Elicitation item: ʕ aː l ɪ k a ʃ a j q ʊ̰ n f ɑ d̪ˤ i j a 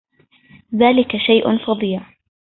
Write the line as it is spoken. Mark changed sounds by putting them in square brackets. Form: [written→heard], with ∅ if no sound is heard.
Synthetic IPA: [ʕ→ð] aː l ɪ k a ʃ a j [q→ʔ] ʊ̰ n f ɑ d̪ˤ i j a